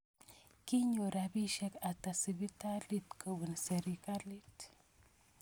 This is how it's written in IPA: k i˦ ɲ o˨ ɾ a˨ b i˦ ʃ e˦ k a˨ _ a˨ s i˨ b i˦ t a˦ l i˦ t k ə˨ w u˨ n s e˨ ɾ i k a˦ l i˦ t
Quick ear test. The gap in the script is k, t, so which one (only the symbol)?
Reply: t